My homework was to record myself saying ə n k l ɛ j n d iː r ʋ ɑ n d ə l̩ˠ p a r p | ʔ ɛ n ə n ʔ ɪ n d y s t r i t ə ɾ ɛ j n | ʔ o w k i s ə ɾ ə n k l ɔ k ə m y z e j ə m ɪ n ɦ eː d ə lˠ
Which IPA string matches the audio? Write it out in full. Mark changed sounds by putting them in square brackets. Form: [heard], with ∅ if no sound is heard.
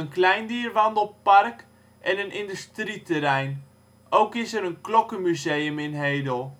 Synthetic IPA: ə n k l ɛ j n d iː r ʋ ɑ n d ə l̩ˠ p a r [k] | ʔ ɛ n ə n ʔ ɪ n d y s t r i t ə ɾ ɛ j n | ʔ o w k [ɪ] s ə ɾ ə n k l ɔ k ə m y z e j ə m ɪ n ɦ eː d ə lˠ